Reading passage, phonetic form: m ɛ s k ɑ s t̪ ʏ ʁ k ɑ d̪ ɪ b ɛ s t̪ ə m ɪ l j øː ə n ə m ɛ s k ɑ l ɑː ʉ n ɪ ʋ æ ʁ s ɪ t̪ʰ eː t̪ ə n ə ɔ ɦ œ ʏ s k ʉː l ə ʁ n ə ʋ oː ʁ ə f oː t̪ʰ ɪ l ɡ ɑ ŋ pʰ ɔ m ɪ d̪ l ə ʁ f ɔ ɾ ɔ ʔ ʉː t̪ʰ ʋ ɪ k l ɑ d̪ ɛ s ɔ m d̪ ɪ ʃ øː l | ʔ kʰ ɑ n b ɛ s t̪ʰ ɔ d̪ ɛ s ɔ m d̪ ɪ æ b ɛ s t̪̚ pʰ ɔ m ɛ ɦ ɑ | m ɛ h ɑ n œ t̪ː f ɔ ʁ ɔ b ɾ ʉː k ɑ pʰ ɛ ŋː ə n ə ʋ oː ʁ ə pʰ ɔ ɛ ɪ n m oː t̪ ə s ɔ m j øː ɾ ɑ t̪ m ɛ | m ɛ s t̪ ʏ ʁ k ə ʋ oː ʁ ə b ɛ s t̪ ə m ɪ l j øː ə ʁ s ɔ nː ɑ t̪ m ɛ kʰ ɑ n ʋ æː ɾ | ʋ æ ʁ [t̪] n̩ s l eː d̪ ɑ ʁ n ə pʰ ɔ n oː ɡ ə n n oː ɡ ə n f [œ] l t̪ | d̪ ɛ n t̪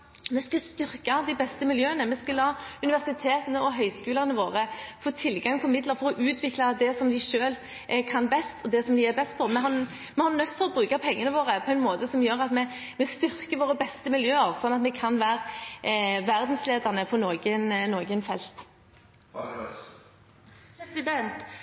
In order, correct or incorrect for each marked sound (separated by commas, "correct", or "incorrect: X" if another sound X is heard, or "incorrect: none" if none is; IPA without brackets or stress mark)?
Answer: incorrect: d̪, incorrect: ɛ